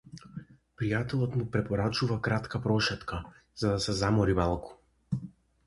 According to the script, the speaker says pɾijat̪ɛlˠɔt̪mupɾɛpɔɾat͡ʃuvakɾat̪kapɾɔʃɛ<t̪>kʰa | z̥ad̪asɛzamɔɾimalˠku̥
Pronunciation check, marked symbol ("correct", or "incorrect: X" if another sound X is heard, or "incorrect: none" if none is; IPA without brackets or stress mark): correct